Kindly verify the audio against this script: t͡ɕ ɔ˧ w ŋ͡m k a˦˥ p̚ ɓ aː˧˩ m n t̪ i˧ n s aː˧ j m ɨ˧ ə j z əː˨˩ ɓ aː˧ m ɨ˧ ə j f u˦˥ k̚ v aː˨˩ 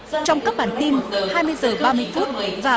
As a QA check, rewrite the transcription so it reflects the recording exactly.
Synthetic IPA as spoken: t͡ɕ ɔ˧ w ŋ͡m k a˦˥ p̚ ɓ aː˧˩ n t̪ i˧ n h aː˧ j m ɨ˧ ə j z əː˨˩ ɓ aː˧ m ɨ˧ ə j f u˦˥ t̚ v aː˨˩